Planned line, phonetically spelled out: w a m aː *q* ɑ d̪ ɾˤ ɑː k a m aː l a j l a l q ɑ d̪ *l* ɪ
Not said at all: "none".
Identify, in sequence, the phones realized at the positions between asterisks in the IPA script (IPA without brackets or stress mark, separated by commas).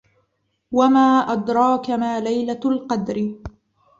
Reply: ʔ, ɾ